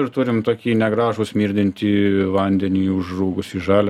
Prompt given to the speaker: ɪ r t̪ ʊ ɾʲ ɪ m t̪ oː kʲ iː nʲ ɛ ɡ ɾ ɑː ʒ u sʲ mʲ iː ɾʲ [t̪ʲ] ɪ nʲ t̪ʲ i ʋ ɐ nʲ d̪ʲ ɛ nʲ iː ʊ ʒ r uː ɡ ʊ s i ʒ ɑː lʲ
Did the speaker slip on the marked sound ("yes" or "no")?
yes